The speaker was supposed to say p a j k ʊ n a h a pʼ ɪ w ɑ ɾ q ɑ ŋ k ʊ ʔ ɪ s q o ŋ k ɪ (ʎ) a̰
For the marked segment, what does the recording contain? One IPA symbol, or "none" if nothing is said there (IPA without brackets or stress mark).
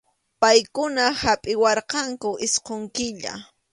ʎ